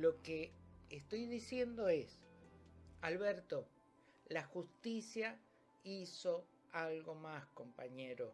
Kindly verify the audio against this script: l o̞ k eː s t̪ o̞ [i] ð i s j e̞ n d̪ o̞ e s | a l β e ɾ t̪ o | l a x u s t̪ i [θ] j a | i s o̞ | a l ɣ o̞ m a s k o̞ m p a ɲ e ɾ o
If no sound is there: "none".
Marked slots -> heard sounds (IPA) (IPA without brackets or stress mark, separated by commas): j, s